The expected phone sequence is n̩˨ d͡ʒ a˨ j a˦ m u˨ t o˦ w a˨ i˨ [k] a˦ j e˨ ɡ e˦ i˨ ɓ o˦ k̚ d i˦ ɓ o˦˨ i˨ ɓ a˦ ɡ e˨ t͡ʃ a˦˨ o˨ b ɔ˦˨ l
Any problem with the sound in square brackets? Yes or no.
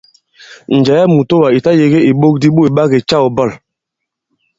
yes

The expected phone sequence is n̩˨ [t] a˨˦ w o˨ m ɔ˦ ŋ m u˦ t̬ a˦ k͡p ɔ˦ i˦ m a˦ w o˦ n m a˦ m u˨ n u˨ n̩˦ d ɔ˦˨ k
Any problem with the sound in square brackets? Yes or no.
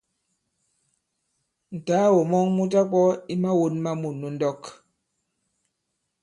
no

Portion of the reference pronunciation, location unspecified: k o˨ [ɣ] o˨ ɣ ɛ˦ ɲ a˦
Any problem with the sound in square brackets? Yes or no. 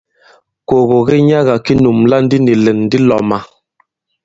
no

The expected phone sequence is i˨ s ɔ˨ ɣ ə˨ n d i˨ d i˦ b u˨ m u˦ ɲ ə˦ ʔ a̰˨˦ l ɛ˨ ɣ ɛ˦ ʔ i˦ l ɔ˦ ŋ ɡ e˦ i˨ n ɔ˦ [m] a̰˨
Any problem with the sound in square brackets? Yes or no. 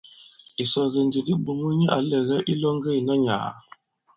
yes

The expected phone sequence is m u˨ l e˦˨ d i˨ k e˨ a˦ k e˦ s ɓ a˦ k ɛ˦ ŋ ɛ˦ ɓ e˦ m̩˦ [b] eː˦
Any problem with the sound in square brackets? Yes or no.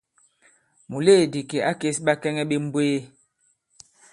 no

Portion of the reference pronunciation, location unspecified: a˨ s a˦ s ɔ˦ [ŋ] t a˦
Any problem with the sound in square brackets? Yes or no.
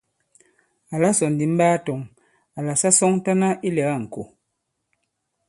no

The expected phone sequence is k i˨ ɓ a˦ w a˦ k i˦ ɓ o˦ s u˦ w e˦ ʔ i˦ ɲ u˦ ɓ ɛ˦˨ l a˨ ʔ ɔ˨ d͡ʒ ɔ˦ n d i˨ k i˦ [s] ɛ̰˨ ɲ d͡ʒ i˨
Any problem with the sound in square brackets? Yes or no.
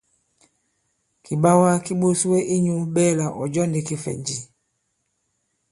yes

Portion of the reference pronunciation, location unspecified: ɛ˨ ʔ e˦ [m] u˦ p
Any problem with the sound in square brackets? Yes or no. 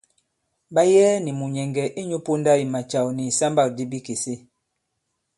yes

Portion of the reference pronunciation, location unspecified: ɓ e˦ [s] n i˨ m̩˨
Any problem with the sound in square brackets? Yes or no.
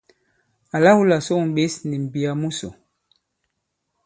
no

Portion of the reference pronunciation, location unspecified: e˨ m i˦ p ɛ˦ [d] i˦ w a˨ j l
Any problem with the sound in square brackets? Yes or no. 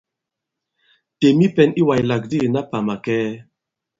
yes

